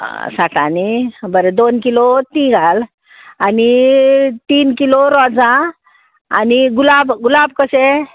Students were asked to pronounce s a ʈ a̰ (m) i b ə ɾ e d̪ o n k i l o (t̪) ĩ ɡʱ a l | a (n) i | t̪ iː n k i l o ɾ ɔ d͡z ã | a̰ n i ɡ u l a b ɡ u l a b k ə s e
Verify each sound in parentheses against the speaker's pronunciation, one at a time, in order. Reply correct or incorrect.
incorrect, correct, correct

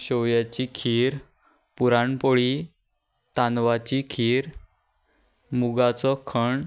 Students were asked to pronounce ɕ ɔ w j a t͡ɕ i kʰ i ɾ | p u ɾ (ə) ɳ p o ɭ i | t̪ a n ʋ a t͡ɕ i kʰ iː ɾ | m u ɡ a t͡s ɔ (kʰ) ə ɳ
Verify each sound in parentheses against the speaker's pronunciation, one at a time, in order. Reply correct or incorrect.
incorrect, correct

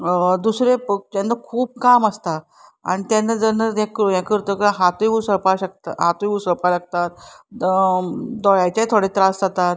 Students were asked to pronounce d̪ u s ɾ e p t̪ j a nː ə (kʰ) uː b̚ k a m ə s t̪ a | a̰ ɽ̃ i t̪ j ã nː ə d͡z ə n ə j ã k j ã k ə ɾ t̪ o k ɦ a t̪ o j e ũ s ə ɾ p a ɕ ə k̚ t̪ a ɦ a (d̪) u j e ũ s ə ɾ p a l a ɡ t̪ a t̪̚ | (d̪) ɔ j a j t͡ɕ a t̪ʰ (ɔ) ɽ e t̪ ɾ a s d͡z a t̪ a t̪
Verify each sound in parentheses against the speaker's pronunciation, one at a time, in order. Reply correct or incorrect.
correct, incorrect, correct, incorrect

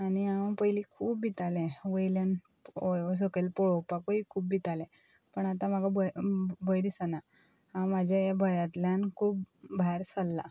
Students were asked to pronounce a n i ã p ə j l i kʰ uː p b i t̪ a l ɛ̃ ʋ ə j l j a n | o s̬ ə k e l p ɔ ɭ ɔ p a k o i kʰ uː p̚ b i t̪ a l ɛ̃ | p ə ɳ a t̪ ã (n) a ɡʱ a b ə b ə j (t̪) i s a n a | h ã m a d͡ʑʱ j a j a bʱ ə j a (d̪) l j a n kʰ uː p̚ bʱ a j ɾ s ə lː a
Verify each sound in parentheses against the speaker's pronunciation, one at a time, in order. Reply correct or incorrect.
incorrect, incorrect, incorrect

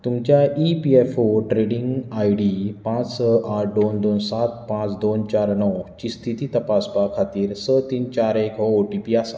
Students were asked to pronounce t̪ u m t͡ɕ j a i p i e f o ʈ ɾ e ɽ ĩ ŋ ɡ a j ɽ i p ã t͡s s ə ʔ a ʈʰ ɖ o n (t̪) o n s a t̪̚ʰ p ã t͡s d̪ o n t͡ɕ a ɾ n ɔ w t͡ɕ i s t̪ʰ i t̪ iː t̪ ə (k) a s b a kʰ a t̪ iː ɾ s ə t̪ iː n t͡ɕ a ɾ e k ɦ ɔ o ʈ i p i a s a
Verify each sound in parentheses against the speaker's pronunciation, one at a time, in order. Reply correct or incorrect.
incorrect, incorrect

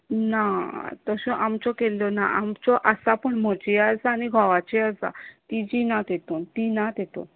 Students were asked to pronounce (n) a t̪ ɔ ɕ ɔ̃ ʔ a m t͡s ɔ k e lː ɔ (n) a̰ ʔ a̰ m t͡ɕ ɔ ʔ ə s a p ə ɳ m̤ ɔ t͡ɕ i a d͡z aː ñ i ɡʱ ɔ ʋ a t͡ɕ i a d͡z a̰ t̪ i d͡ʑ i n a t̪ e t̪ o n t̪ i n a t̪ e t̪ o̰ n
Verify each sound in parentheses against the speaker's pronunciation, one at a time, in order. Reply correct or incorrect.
correct, correct

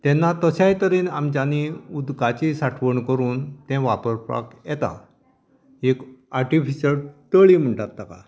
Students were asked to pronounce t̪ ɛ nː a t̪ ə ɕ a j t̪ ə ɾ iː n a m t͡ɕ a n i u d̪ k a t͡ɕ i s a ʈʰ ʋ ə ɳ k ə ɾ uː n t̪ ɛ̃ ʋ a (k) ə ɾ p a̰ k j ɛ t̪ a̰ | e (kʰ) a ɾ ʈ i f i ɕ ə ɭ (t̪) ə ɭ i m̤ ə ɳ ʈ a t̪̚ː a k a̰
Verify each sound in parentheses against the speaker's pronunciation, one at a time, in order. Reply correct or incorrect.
incorrect, incorrect, correct

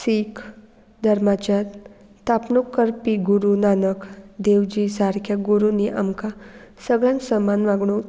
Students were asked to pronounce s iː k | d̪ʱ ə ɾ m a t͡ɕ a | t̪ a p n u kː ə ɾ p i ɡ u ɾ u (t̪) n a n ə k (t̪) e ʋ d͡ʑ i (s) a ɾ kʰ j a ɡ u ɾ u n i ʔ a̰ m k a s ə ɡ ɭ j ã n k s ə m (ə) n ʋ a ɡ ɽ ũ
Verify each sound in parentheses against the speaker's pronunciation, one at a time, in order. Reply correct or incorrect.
incorrect, incorrect, correct, incorrect

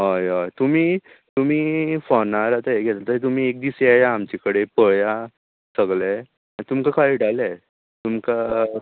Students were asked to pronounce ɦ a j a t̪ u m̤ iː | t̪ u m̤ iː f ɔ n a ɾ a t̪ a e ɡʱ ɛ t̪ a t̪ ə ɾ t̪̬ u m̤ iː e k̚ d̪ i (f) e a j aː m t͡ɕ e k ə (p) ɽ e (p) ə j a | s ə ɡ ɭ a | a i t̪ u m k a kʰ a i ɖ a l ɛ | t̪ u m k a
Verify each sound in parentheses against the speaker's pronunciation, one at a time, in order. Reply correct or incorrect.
incorrect, incorrect, correct

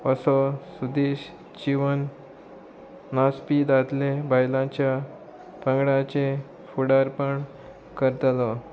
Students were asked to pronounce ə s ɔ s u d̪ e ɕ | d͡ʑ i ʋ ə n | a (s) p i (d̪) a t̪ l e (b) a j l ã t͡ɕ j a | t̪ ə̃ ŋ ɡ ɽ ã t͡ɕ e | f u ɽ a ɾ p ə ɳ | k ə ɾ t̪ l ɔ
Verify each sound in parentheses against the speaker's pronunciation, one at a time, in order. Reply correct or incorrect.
correct, correct, correct

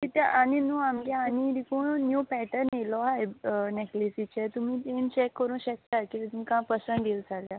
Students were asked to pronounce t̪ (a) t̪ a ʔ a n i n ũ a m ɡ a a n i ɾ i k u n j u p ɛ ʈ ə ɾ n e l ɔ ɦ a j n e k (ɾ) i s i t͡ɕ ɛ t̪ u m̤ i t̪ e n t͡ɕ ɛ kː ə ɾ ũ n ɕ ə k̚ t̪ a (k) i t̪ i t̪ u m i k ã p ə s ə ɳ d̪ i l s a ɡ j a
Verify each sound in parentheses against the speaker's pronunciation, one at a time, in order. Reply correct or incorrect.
incorrect, incorrect, correct

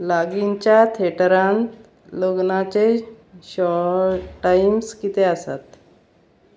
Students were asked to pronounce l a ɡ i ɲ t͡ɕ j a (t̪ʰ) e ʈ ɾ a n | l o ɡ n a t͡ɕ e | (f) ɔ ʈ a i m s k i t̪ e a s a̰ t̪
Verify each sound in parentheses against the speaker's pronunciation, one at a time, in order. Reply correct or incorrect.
correct, incorrect

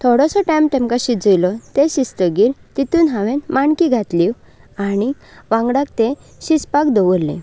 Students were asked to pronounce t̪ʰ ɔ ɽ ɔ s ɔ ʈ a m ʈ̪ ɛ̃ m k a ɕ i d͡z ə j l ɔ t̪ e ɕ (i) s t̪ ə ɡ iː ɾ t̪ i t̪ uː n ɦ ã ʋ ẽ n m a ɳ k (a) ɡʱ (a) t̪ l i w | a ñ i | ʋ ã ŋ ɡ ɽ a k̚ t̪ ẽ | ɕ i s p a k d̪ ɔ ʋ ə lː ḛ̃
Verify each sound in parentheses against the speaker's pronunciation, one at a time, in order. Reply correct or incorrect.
correct, incorrect, correct

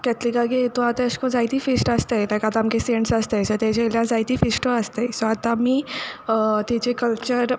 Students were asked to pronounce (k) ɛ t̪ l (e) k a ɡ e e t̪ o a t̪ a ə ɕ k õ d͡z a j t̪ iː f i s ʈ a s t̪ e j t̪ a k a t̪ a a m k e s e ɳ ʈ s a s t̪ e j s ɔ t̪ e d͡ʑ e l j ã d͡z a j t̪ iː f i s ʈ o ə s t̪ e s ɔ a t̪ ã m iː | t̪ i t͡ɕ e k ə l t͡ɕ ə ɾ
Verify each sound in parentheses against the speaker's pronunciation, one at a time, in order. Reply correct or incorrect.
correct, incorrect

